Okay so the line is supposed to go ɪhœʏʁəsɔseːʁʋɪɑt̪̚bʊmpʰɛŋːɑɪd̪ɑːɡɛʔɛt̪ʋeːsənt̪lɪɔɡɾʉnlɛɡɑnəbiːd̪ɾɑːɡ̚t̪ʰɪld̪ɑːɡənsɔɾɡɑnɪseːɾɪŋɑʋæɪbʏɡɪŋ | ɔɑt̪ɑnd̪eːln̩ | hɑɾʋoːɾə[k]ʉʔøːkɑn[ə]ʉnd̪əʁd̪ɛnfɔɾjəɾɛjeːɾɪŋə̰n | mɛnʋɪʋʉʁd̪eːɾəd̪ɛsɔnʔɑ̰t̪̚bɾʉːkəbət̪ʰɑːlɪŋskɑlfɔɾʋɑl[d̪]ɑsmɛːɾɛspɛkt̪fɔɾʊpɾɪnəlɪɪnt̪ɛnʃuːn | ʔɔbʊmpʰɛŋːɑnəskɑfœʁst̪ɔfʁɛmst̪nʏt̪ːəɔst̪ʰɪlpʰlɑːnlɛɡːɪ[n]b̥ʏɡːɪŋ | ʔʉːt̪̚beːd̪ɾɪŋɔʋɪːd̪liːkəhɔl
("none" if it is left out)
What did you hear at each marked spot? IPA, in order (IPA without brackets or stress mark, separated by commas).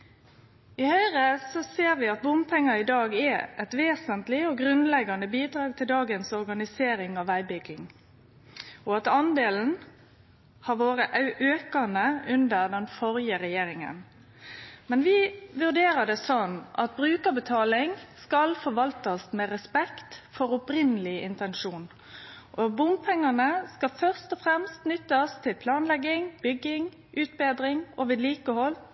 ʔ, ə, t̪, ŋ